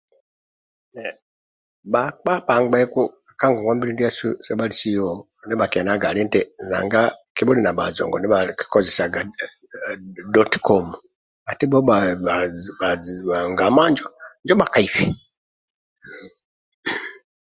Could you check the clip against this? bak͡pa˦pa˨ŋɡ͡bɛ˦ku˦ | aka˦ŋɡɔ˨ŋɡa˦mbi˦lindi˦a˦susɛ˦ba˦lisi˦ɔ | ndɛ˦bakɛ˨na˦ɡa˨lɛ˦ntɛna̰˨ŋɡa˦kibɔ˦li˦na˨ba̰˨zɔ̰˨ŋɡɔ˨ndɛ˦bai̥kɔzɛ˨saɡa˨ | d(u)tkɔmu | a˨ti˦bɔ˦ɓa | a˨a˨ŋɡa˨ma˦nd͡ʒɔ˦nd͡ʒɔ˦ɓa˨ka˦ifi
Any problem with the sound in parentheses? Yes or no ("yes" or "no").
yes